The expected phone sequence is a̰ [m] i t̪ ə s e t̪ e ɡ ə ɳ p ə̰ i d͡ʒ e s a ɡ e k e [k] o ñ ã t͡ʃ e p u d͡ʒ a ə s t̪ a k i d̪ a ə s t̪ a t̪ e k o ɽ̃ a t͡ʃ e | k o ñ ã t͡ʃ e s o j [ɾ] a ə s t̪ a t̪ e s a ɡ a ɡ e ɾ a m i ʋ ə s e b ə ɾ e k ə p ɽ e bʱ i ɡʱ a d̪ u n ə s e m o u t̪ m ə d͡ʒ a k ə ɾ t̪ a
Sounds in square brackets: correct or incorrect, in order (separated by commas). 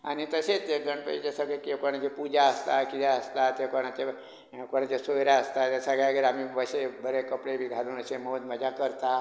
incorrect, correct, correct